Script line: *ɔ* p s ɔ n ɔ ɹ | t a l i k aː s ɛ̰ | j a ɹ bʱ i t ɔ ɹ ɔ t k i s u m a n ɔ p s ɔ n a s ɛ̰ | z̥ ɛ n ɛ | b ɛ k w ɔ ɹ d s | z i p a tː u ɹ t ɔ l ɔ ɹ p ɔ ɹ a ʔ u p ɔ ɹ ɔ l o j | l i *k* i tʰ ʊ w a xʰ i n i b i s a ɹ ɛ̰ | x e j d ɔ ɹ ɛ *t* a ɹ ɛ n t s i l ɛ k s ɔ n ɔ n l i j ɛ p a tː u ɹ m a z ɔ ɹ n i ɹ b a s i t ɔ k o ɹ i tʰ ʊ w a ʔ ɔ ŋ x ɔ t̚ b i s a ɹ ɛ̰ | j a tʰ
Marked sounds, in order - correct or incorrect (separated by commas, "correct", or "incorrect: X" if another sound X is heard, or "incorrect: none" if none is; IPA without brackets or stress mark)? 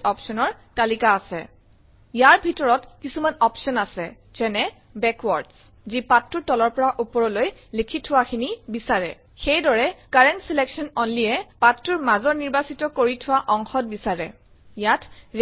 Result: correct, incorrect: kʰ, incorrect: k